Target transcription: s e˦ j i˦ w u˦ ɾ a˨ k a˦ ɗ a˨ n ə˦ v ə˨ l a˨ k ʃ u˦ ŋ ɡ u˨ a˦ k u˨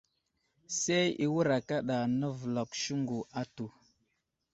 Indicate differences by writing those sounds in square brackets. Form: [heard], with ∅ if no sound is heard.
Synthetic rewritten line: s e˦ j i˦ w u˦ ɾ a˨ k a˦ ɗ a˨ n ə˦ v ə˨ l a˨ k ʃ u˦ ŋ ɡ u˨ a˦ [t] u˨